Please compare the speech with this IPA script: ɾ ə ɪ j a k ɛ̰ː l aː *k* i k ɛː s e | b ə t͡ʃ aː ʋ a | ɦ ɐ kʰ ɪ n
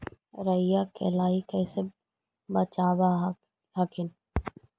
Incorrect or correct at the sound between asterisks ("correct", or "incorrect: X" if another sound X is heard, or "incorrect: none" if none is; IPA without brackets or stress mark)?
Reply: incorrect: none